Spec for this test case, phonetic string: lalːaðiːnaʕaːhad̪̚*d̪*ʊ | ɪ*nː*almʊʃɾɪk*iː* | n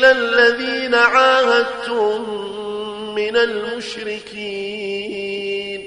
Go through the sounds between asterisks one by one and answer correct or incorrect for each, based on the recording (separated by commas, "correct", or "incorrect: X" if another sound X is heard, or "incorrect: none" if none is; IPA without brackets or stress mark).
incorrect: t̪, incorrect: n, correct